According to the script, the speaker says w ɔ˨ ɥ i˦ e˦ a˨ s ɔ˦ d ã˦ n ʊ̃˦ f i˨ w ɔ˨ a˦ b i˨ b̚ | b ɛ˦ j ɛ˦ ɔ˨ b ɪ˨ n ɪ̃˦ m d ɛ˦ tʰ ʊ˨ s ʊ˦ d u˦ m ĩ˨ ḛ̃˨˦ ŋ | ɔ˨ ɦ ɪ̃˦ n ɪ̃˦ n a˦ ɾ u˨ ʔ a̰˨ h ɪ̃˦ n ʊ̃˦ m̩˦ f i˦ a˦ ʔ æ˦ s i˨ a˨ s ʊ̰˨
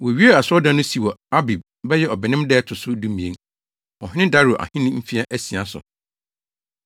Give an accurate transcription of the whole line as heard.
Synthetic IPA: w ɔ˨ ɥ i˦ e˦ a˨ s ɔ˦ d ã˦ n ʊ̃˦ s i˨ w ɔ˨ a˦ b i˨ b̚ | b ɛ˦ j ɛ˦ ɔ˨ b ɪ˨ n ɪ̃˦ m d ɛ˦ tʰ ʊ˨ s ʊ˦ d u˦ m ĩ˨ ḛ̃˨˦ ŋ | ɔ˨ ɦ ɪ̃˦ n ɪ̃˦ d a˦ ɾ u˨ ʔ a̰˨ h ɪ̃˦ n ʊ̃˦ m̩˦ f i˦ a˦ ʔ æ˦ s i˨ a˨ s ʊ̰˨